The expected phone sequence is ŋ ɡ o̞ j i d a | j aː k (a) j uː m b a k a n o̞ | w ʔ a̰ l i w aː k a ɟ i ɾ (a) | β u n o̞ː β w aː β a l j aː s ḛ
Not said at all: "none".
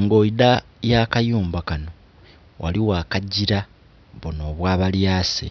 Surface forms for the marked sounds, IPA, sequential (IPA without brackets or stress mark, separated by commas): a, a